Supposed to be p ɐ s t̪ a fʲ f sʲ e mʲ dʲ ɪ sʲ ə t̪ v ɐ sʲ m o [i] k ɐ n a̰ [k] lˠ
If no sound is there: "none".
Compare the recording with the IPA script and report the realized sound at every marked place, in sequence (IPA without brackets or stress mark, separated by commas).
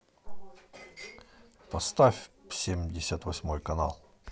j, none